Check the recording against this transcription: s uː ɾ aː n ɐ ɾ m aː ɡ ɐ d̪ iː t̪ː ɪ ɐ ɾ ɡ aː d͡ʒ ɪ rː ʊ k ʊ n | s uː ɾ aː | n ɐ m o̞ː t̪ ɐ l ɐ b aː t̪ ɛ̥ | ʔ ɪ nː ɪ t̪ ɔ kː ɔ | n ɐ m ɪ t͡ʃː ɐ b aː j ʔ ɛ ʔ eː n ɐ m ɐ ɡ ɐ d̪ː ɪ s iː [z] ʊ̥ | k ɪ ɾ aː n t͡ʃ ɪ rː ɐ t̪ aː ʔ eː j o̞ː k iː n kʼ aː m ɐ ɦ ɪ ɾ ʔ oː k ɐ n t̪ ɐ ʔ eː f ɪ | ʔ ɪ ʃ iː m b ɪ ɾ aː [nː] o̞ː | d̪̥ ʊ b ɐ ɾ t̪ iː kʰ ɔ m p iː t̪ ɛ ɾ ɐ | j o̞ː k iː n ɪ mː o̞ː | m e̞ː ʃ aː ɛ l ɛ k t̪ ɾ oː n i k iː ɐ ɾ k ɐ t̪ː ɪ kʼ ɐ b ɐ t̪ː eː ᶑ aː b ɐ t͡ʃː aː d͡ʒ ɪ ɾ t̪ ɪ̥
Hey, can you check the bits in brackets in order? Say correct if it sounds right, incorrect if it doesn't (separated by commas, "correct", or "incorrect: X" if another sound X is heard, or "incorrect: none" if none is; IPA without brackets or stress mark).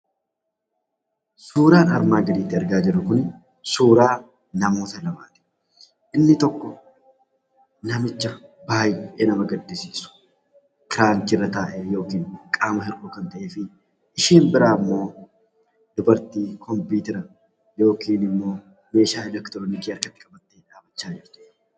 incorrect: s, incorrect: mː